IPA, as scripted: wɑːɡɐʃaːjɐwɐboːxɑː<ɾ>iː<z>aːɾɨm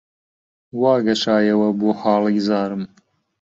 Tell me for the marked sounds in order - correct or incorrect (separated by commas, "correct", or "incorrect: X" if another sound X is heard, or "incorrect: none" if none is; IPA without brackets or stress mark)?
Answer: incorrect: l, correct